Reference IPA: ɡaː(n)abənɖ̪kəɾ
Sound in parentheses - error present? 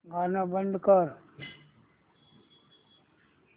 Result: no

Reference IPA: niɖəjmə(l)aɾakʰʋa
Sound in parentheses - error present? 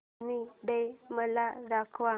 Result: no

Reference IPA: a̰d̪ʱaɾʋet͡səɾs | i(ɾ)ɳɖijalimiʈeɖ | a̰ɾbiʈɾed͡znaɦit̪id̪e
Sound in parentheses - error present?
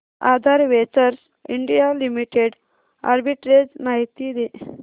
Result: yes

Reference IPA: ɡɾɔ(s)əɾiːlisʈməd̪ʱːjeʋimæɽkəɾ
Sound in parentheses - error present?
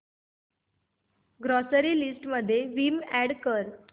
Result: no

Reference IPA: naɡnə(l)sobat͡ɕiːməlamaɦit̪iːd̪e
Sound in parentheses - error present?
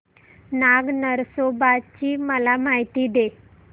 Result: yes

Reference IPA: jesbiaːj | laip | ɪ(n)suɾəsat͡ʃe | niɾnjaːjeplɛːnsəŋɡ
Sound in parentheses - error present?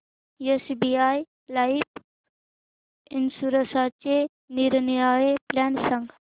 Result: no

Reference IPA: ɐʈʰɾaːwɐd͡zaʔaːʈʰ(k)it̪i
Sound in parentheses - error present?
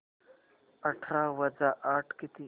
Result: no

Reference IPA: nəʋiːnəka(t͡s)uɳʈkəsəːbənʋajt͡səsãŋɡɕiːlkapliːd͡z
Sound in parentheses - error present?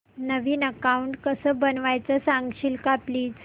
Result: yes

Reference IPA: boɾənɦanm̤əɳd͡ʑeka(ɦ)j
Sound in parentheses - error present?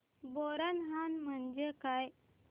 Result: yes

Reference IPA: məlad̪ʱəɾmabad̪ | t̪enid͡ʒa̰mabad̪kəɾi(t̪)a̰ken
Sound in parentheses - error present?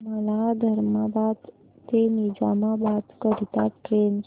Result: no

